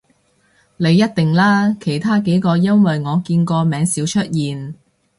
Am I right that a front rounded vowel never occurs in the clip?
yes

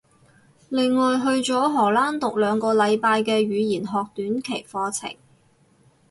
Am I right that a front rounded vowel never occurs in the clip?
no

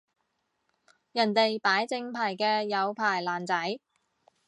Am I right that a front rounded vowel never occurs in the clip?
yes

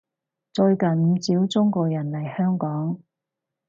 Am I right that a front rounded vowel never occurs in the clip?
no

